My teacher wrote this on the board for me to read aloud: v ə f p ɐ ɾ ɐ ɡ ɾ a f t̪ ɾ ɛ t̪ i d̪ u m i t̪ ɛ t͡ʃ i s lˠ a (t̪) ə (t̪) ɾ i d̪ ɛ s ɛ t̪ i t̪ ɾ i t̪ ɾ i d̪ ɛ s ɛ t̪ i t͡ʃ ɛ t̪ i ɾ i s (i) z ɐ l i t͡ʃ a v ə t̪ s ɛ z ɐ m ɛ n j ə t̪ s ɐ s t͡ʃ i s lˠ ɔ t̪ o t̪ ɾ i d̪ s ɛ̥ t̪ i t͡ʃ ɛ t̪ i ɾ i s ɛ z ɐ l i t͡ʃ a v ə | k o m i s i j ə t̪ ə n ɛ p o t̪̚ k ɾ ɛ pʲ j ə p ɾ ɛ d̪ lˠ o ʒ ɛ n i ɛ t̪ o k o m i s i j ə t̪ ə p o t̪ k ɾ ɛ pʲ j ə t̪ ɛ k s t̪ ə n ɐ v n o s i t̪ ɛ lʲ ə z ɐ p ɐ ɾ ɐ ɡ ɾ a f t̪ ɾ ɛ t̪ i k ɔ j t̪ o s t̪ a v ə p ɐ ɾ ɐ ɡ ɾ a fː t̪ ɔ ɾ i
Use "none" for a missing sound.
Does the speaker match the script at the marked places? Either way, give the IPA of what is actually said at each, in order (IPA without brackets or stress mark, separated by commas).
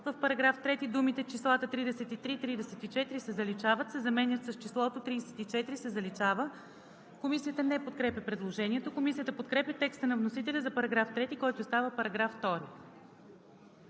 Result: t̪, t̪, ɛ